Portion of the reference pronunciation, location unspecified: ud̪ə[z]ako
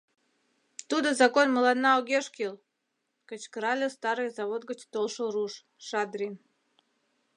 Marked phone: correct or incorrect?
correct